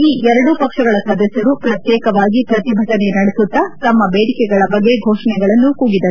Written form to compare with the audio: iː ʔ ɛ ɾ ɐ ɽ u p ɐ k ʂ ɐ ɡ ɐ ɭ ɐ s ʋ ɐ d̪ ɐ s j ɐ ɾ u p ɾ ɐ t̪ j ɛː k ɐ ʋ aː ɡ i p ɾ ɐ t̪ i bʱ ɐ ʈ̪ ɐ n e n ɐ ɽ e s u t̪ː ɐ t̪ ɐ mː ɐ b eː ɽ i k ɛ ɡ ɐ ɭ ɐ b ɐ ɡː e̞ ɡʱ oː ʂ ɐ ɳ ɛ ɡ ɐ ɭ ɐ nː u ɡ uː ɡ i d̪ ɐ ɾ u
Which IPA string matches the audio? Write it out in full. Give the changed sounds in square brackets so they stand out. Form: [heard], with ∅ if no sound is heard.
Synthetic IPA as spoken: iː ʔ ɛ ɾ ɐ ɽ u p ɐ k ʂ ɐ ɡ ɐ ɭ ɐ s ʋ ɐ d̪ ɐ s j ɐ ɾ u p ɾ ɐ t̪ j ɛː k ɐ ʋ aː ɡ i p ɾ ɐ t̪ i bʱ ɐ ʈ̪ ɐ n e n ɐ ɽ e s u t̪ː ɐ t̪ ɐ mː ɐ b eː ɽ i k ɛ ɡ ɐ ɭ ɐ b ɐ ɡː e̞ ɡʱ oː ʂ ɐ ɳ ɛ ɡ ɐ ɭ ɐ nː u [k] uː ɡ i d̪ ɐ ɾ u